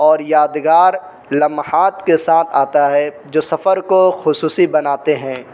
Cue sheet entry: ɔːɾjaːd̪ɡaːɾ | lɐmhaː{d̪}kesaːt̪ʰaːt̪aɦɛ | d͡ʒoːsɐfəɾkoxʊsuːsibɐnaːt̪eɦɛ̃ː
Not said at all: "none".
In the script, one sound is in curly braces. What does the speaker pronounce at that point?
t̪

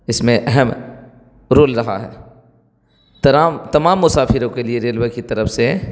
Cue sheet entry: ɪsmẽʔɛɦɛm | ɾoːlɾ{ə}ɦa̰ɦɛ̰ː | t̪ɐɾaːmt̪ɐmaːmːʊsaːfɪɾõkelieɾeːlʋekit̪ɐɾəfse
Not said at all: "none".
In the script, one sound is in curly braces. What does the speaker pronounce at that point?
ɐ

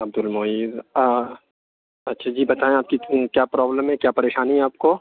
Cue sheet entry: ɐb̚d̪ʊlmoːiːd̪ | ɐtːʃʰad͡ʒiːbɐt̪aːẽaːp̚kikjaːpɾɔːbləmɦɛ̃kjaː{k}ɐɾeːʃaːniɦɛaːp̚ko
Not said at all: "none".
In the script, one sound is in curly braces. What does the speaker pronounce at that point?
p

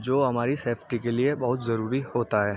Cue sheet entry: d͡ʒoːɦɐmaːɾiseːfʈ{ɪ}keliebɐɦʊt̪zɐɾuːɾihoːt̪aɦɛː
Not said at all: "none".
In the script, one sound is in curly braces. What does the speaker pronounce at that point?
i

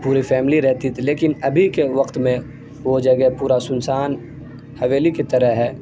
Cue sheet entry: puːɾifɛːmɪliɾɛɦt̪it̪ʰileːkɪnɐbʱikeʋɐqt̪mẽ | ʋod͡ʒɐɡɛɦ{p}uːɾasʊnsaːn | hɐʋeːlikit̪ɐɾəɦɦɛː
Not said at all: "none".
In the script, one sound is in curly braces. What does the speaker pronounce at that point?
p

